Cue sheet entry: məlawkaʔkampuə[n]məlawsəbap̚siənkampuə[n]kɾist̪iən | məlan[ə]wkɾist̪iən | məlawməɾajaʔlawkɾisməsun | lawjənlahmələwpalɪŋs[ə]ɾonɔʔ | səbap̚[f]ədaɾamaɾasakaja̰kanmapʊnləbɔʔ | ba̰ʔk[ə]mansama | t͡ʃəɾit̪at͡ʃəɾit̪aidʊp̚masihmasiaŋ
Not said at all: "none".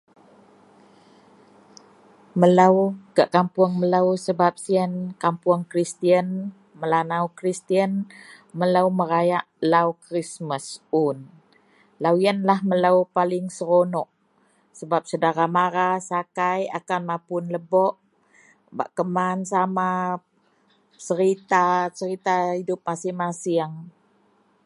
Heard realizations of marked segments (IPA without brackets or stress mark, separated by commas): ŋ, ŋ, a, ə, s, ə